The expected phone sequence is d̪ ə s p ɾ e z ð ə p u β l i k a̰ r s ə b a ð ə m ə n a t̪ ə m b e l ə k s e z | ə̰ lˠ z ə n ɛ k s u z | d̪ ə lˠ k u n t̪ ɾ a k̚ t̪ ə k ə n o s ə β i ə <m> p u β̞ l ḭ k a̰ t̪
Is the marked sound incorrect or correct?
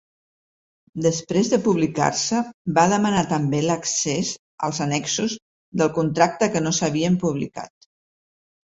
correct